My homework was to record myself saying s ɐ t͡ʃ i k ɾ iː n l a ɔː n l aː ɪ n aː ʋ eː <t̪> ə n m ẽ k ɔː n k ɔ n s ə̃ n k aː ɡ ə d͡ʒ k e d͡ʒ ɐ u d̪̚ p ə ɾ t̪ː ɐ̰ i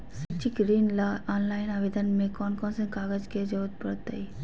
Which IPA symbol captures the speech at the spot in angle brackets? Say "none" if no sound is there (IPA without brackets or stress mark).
d̪